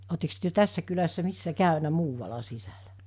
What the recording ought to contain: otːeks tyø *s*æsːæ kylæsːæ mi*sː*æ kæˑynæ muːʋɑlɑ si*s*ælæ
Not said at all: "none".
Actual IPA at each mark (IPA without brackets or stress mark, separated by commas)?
t, sː, s